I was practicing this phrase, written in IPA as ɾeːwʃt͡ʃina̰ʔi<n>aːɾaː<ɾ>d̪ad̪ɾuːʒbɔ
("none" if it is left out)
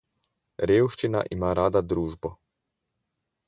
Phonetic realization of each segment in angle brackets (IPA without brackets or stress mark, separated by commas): m, none